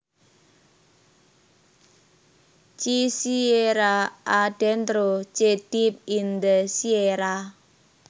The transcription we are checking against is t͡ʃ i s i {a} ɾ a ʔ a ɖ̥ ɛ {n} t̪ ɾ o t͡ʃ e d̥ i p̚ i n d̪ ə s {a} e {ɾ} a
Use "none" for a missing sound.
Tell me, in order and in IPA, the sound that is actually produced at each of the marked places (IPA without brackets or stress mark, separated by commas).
e, n, i, ɾ